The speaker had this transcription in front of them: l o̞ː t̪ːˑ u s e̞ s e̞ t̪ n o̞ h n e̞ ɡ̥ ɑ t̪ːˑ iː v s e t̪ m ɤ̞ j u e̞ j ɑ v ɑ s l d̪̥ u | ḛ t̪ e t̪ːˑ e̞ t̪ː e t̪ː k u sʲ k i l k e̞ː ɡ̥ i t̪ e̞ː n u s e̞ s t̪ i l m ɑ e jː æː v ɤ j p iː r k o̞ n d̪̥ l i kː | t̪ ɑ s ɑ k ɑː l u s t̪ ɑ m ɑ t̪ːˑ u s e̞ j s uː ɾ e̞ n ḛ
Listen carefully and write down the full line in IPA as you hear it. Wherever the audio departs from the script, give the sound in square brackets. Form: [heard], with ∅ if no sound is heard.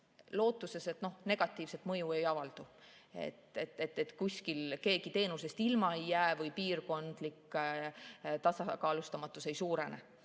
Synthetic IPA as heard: l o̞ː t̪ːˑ u s e̞ s e̞ t̪ n o̞ h n e̞ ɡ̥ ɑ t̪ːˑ iː v s e t̪ m ɤ̞ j u e̞ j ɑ v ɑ [∅] l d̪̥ u | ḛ t̪ e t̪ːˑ e̞ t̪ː e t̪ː k u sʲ k i l k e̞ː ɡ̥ i t̪ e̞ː n u s e̞ s t̪ i l m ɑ e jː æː v ɤ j p iː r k o̞ n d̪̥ l i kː | t̪ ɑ s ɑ k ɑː l u s t̪ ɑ m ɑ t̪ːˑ u s e̞ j s uː ɾ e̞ n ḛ